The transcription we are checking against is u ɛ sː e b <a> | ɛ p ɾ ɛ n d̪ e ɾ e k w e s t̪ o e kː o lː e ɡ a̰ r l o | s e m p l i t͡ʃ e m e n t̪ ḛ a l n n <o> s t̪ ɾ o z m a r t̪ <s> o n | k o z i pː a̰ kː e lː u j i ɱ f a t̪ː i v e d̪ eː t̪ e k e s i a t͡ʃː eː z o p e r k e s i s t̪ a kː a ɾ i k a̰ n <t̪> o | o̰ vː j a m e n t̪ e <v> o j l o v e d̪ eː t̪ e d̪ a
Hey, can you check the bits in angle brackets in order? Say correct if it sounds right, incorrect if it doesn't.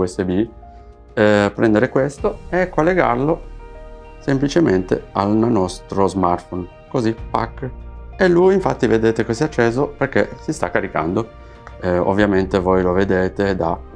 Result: incorrect: i, incorrect: ɔ, incorrect: f, incorrect: d̪, correct

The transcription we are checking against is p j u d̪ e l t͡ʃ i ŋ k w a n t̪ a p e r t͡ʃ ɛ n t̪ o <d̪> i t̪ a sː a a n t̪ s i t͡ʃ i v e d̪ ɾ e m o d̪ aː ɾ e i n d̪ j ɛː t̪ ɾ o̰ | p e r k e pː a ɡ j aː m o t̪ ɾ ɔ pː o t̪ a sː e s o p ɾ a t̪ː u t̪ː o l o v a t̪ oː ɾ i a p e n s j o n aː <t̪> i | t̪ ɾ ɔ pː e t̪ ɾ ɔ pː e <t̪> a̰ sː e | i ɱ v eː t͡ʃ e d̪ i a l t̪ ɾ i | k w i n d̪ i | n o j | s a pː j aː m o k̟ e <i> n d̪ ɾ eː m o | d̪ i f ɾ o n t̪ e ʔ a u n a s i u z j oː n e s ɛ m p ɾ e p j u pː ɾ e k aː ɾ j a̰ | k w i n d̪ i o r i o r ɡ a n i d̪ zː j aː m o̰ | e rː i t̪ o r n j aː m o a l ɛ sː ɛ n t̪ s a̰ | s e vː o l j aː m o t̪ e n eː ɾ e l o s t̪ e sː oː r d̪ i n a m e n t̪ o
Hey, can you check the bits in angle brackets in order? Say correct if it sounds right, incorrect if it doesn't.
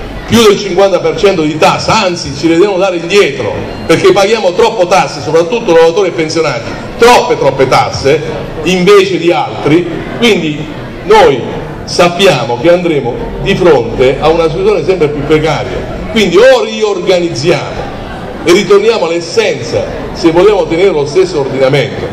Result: correct, correct, correct, incorrect: a

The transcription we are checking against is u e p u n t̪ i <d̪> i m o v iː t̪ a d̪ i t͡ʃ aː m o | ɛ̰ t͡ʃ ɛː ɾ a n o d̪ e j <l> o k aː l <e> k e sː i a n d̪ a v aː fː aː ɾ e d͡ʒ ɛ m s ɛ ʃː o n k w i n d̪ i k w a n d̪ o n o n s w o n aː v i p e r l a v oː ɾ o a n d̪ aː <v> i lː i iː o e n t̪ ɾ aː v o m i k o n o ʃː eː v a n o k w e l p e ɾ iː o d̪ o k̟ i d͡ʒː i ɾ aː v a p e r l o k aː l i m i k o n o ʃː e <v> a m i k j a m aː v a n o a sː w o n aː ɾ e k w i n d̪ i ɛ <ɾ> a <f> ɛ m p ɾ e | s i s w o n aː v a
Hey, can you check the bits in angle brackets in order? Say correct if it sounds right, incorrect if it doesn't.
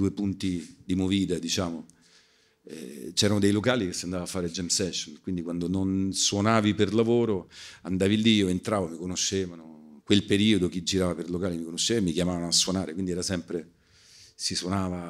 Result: correct, correct, incorrect: i, correct, correct, correct, incorrect: s

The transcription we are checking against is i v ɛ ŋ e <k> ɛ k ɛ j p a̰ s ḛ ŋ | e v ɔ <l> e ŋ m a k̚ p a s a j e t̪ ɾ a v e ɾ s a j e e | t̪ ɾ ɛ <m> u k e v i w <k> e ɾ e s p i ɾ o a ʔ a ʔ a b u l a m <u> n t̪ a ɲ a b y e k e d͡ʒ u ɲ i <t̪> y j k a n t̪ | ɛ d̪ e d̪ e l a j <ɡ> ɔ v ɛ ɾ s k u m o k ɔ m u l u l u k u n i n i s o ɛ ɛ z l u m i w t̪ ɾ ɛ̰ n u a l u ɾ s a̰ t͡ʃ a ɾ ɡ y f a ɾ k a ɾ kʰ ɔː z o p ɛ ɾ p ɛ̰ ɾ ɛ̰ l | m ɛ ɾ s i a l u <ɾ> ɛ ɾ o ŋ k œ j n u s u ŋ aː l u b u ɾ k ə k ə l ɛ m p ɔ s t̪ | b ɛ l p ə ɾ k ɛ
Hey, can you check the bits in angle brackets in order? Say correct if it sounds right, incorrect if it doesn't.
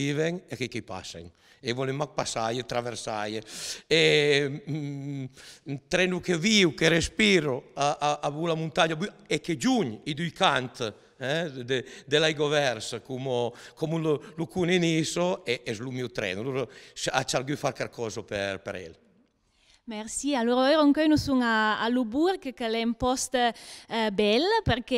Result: correct, correct, incorrect: n, correct, correct, incorrect: d̪, correct, correct

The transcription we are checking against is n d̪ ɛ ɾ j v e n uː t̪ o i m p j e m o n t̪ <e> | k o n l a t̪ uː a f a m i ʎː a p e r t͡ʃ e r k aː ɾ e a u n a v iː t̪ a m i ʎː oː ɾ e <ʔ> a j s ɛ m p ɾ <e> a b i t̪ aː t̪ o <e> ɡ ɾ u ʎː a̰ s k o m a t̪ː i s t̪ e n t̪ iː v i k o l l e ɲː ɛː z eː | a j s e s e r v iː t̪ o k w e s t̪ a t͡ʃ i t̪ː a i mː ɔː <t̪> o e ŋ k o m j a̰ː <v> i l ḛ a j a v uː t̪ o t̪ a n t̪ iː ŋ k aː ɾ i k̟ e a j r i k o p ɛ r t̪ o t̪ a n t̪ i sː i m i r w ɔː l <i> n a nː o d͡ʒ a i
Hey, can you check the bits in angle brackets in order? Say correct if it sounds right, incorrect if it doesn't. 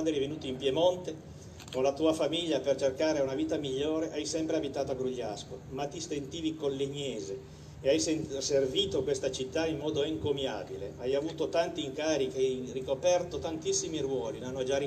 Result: correct, correct, correct, incorrect: a, incorrect: d̪, incorrect: b, correct

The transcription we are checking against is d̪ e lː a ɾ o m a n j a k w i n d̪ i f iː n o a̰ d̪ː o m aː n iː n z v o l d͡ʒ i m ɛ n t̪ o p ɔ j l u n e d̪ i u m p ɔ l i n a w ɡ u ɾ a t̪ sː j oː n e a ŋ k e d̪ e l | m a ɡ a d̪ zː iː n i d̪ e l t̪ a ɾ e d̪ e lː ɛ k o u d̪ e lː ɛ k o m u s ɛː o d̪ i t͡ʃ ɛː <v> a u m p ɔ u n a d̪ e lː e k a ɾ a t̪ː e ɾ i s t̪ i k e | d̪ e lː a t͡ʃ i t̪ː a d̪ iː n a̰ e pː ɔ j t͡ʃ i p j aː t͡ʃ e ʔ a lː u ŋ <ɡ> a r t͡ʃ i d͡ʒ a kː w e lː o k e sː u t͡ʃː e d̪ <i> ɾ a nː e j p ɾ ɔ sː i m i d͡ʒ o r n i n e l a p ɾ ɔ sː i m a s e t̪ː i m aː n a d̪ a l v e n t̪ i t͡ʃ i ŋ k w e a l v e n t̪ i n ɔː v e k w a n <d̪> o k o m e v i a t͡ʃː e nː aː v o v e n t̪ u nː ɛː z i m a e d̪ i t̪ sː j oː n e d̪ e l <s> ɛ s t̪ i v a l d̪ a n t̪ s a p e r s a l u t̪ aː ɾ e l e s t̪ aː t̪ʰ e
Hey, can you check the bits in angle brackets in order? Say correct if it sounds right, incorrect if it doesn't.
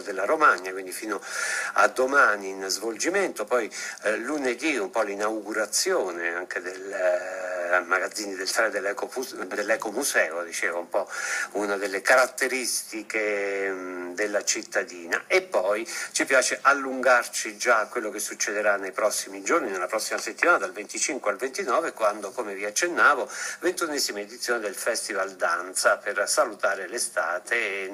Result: correct, correct, incorrect: e, correct, incorrect: f

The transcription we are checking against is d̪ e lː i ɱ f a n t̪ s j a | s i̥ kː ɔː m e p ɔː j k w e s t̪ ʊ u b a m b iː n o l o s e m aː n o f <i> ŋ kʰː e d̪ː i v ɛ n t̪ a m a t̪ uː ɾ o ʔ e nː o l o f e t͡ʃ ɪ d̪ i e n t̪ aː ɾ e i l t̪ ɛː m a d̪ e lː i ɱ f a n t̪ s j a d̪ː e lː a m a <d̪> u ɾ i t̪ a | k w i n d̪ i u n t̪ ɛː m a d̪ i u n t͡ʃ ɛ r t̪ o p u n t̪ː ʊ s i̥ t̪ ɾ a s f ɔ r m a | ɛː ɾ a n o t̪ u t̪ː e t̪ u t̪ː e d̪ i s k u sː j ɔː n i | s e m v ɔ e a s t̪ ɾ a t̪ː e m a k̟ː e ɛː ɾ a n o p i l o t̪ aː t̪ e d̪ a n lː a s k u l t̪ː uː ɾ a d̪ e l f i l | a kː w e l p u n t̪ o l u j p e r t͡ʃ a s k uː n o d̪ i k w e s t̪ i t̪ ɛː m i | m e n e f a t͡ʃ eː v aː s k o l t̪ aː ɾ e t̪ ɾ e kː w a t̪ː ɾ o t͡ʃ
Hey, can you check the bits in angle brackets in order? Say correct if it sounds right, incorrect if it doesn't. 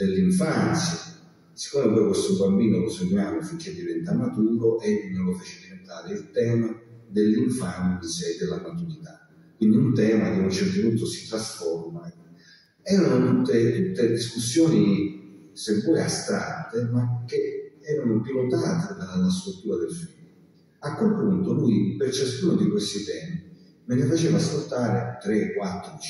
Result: correct, incorrect: t̪

